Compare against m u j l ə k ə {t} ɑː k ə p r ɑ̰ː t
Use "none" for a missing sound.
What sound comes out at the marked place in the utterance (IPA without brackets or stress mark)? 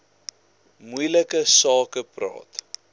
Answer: s